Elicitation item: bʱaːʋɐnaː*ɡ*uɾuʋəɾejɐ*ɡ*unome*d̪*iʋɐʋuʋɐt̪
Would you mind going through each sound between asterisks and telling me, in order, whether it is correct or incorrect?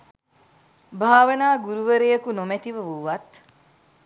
correct, incorrect, incorrect

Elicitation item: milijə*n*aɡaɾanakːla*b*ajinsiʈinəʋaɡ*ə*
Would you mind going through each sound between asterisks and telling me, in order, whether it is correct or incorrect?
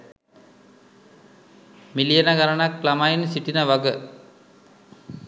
correct, incorrect, correct

